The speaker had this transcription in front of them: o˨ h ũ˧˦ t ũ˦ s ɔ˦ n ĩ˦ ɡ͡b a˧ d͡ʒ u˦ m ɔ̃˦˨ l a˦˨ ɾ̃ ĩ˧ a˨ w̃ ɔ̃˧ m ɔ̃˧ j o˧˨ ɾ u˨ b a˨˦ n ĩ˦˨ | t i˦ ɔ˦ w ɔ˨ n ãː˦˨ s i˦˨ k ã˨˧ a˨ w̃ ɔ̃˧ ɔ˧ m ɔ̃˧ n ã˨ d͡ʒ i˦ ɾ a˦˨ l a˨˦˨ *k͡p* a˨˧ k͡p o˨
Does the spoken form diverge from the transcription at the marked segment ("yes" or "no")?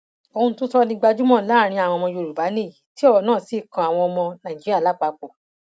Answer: no